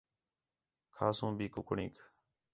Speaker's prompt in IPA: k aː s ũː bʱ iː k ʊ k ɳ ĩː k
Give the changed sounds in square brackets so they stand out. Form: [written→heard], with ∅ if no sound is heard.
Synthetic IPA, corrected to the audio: [k→kʰ] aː s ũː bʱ iː k ʊ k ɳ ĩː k